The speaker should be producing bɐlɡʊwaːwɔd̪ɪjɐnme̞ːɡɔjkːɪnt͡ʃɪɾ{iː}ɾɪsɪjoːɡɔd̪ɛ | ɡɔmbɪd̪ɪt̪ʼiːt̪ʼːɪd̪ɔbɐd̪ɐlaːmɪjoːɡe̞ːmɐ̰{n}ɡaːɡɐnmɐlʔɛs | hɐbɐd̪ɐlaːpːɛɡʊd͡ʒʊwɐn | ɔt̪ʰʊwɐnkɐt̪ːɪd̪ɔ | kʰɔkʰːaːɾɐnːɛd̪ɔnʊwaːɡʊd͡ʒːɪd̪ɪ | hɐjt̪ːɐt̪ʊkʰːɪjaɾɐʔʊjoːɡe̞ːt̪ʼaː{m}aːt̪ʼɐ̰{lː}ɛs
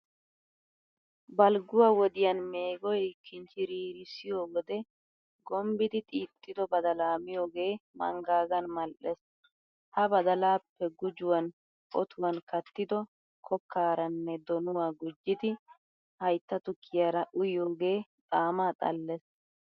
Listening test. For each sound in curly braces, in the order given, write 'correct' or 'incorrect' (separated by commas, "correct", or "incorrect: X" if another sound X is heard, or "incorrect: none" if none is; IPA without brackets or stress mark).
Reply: correct, incorrect: ŋ, correct, correct